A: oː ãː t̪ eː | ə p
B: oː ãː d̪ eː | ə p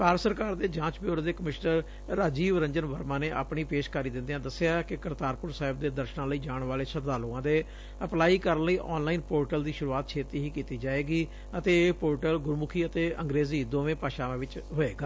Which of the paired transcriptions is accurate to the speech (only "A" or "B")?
B